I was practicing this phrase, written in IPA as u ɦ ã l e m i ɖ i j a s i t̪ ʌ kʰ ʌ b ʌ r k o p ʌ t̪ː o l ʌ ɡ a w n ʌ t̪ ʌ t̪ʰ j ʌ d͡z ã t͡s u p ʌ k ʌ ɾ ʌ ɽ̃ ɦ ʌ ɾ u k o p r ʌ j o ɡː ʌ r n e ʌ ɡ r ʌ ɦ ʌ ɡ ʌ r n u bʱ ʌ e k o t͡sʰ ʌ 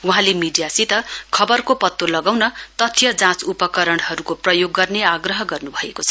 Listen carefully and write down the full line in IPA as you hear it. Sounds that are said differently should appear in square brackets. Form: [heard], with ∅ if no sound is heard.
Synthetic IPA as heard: u ɦ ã l e m i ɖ i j a s i t̪ ʌ kʰ ʌ b ʌ r k o p ʌ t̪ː o l ʌ ɡ a w n ʌ t̪ ʌ t̪ʰ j ʌ d͡z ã t͡s u p ʌ k ʌ ɾ ʌ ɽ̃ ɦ ʌ ɾ u k o p r ʌ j o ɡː ʌ r n e [a] ɡ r ʌ ɦ ʌ ɡ ʌ r n u bʱ ʌ e k o t͡sʰ ʌ

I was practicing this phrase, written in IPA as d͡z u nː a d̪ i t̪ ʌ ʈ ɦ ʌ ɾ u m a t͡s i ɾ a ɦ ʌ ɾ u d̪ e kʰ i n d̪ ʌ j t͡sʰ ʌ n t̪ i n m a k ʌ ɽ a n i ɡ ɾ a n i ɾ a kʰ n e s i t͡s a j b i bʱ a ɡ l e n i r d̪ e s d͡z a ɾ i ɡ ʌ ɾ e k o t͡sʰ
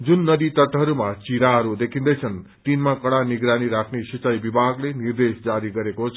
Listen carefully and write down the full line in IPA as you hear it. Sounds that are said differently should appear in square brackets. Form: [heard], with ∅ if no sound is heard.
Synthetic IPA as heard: d͡z u nː [ʌ] d̪ i t̪ ʌ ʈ ɦ ʌ ɾ u m a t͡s i ɾ a ɦ ʌ ɾ u d̪ e kʰ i n d̪ ʌ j t͡sʰ ʌ n t̪ i n m a k ʌ ɽ a n i ɡ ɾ a n i ɾ a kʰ n e s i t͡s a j b i bʱ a ɡ l e n i r d̪ e s d͡z a ɾ i ɡ ʌ ɾ e k o t͡sʰ

